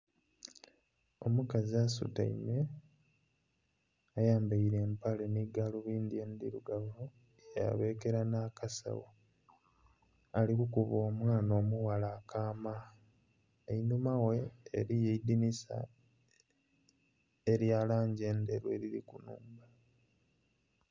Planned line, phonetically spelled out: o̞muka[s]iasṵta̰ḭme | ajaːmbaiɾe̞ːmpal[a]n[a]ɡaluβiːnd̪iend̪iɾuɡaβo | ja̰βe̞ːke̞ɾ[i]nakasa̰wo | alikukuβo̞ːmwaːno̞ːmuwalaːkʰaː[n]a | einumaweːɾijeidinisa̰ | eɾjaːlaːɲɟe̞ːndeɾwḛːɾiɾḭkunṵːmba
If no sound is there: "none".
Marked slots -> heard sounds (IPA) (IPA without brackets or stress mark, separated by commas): z, e, i, a, m